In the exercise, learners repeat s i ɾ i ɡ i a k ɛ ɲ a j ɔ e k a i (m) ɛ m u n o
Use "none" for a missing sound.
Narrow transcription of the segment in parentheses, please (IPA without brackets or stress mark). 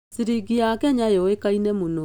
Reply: n